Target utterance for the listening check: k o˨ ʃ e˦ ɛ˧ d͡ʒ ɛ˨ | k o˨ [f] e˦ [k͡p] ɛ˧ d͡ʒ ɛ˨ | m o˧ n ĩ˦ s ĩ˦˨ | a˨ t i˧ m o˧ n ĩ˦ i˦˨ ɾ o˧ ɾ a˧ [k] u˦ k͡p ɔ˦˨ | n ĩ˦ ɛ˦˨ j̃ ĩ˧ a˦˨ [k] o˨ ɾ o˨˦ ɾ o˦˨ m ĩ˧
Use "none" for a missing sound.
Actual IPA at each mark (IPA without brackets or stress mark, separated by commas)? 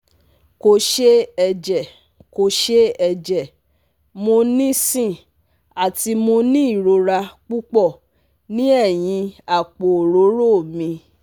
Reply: ʃ, none, k͡p, k͡p